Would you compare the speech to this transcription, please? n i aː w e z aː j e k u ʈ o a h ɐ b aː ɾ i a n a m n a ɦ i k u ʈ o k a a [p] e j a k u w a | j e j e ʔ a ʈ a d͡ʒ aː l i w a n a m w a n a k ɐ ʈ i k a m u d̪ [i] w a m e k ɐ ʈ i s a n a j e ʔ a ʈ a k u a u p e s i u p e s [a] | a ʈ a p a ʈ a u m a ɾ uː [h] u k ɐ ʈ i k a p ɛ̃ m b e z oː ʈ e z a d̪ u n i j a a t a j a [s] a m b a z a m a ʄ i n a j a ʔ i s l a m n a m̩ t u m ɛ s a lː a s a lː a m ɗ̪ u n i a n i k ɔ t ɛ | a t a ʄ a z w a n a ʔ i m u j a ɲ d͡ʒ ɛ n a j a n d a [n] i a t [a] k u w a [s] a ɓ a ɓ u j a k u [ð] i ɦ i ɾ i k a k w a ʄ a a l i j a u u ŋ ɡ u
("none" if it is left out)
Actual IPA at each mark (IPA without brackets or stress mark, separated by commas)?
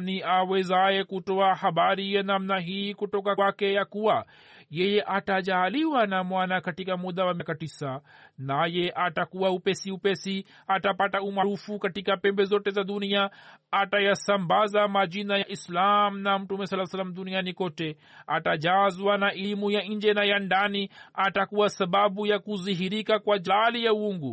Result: k, a, i, f, s, n, a, s, z